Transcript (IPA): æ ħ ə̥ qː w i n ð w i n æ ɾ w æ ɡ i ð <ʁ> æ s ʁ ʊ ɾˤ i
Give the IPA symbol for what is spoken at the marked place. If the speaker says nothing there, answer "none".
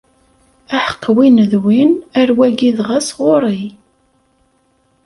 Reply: ʁ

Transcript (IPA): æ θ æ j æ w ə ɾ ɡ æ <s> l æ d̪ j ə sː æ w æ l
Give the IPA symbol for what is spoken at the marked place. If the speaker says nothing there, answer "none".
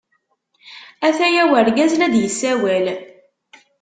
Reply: z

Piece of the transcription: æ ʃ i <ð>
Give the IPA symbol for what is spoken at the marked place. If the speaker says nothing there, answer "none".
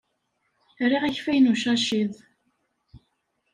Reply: ð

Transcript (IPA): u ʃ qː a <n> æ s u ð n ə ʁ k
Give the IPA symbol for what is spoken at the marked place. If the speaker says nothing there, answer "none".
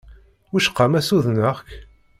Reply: m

